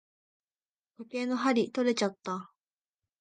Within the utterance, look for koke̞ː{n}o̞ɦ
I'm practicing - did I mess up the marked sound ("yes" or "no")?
no